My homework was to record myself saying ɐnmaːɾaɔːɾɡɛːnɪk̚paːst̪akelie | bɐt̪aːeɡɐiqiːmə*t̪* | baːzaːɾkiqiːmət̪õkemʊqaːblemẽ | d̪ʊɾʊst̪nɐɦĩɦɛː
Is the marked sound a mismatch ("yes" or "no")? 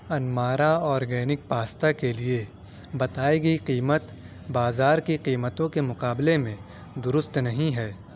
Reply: no